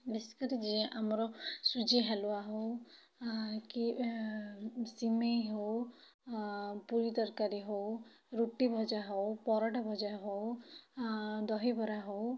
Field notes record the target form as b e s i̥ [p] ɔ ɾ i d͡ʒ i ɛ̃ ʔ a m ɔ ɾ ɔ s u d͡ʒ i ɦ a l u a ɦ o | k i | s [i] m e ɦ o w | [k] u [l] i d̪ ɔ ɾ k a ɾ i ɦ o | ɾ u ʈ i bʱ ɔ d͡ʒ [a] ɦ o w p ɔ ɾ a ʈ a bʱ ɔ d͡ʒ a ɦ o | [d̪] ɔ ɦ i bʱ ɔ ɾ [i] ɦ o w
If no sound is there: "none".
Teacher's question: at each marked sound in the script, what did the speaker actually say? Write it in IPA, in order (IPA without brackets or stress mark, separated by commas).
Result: k, i, p, ɾ, a, d̪, a